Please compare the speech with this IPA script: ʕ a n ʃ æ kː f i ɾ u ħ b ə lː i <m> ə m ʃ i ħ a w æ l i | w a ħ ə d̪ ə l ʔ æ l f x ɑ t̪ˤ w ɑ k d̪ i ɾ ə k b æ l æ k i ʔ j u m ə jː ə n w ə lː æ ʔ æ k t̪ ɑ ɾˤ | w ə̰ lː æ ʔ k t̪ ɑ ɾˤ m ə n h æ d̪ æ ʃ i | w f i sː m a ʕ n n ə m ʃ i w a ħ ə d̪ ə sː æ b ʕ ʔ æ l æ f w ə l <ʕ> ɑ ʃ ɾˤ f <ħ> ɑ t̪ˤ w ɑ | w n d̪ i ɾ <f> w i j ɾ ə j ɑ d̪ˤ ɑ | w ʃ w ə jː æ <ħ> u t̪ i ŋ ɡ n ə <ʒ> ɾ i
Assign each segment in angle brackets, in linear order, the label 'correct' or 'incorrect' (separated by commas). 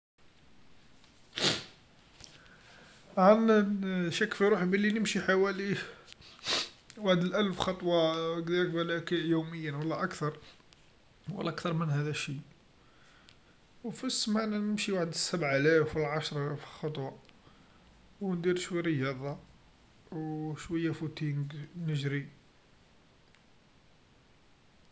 incorrect, correct, incorrect, incorrect, incorrect, correct